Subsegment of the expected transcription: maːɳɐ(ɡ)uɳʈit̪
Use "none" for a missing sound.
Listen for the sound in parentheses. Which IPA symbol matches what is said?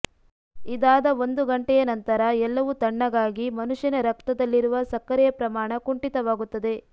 k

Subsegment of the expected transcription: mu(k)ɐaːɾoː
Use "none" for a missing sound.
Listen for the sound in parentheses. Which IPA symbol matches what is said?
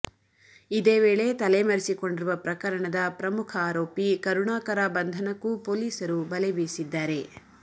kʰ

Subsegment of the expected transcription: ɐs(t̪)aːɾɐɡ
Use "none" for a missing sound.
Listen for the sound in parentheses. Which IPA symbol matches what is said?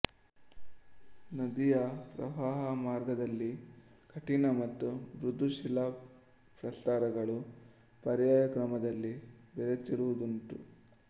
t̪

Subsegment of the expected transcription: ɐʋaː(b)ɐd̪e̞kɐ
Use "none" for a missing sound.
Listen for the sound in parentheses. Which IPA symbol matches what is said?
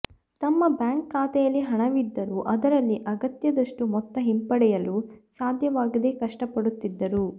ɡ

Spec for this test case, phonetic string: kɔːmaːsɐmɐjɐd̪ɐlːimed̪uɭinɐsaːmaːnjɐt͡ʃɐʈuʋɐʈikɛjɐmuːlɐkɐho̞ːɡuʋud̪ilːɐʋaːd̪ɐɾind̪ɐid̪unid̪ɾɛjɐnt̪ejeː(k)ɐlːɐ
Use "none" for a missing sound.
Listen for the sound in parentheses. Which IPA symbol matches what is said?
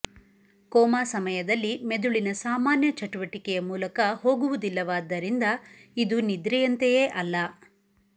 ʔ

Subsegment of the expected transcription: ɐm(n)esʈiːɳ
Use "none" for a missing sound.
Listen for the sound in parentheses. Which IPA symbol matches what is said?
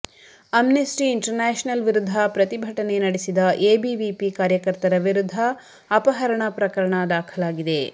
n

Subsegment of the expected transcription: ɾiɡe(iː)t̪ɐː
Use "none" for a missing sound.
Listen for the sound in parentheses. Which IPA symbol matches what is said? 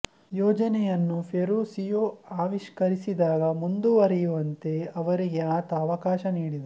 aː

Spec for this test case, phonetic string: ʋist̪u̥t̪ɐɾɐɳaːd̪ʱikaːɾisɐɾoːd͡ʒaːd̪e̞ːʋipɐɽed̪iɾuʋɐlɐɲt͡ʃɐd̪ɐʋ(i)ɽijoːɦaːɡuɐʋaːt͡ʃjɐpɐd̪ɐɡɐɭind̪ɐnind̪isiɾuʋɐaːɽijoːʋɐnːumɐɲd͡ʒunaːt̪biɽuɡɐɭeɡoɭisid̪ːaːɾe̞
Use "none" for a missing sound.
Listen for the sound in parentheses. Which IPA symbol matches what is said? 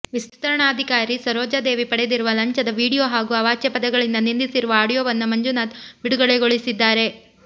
iː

